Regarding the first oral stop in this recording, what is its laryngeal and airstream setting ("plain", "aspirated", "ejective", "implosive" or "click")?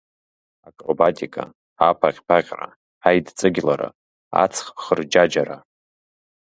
ejective